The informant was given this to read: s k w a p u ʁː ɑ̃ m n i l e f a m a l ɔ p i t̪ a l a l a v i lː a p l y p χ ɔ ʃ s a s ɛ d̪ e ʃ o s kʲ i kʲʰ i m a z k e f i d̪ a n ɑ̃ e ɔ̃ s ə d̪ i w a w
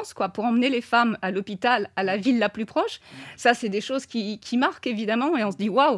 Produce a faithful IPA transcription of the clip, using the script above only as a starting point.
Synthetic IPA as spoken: s k w a p u ʁ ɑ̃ m n e l e f a m a l ɔ p i t̪ a l a l a v i lː a p l y p χ ɔ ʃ s a s ɛ d̪ e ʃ o z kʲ i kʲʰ i m a ʁ k e v i d̪ a m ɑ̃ e ɔ̃ s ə d̪ i w a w